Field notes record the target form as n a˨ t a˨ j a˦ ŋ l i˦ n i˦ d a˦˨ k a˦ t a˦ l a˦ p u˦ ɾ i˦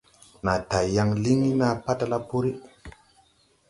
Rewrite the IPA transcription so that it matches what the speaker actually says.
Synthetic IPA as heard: n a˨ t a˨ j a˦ ŋ l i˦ ŋ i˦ n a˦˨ p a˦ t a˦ l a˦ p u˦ ɾ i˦